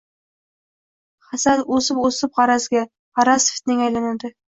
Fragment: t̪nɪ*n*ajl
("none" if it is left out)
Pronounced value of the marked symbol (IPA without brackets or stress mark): ŋ